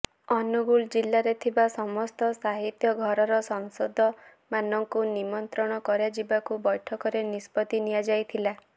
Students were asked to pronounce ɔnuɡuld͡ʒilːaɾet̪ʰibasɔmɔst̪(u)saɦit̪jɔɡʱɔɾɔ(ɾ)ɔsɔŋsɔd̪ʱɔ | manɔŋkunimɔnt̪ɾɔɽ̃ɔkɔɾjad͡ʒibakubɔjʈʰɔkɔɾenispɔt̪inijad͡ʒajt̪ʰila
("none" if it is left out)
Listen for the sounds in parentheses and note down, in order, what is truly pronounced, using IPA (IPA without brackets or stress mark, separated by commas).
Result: ɔ, ɾ